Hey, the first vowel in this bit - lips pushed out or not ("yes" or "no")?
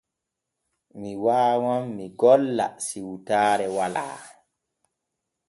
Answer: no